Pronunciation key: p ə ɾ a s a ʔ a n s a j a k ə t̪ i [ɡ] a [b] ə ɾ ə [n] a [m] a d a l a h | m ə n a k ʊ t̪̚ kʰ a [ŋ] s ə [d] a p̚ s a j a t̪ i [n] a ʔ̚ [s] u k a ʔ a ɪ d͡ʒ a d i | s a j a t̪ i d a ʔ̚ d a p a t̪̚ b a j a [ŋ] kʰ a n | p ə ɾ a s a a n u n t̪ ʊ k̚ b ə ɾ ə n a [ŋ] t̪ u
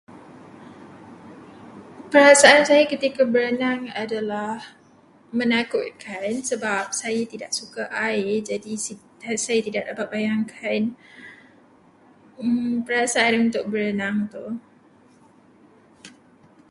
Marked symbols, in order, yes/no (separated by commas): no, yes, yes, no, no, no, no, yes, yes, yes